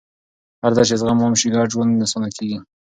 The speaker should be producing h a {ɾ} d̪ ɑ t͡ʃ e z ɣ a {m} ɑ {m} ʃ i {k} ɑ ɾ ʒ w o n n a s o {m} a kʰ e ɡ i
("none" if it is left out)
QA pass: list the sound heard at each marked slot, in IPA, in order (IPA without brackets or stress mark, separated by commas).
ɾ, m, m, ɡ, n